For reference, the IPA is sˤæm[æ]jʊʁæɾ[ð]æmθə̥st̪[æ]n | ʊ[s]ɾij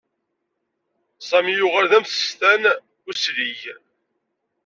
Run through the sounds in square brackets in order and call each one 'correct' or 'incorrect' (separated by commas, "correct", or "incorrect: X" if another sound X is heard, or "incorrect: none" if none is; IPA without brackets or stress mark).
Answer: incorrect: i, correct, correct, correct